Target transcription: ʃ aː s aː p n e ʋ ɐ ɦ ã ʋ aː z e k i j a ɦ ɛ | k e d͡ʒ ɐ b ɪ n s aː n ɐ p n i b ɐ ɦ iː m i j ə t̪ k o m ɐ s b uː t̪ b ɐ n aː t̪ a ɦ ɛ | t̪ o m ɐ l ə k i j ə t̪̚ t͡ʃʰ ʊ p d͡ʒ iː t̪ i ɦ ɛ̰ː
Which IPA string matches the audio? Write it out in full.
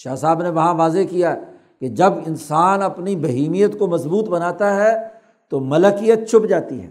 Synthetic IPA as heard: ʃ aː s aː b n e ʋ ɐ ɦ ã ʋ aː z e k i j a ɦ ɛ | k e d͡ʒ ɐ b ɪ n s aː n ɐ p n i b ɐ ɦ iː m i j ə t̪ k o m ɐ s b uː t̪ b ɐ n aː t̪ a ɦ ɛ | t̪ o m ɐ l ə k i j ə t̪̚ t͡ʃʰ ʊ p d͡ʒ aː t̪ i ɦ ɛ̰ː